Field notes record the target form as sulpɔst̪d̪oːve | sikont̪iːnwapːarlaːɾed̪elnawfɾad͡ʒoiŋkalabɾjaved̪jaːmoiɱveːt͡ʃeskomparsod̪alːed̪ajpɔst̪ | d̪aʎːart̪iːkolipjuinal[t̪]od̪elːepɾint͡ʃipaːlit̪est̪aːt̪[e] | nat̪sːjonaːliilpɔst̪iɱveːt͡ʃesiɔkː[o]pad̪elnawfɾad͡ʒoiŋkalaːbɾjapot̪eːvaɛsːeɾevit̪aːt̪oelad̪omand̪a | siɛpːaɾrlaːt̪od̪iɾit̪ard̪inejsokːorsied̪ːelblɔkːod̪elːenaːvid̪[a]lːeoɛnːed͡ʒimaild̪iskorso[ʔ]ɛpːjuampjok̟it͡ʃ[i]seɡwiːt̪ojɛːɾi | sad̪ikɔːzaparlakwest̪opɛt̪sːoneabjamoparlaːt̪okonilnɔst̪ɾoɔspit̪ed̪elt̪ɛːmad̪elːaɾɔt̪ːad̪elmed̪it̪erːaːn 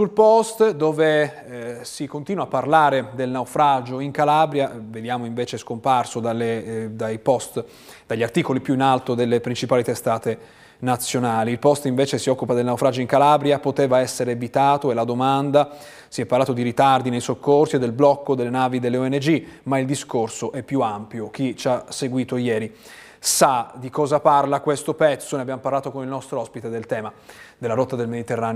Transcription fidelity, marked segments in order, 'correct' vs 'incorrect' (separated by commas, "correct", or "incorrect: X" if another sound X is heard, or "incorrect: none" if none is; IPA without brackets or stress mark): correct, correct, incorrect: u, incorrect: e, correct, incorrect: a